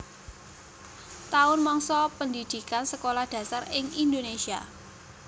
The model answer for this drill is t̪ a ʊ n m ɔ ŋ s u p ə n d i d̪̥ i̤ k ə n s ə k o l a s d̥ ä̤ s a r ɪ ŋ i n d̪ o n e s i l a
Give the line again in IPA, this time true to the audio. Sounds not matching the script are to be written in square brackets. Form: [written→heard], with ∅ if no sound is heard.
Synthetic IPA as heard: t̪ a ʊ n m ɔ ŋ s [u→ɔ] p ə n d i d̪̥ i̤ k [ə→a] n s ə k o l a [s→h] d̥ ä̤ s a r ɪ ŋ i n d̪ o n e s i [l→∅] a